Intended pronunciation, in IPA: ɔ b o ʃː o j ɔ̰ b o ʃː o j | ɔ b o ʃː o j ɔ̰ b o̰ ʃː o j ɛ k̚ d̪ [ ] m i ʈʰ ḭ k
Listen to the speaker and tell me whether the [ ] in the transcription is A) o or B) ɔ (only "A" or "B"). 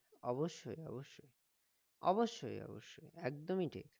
A